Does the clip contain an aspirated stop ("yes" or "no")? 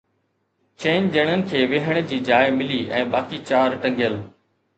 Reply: yes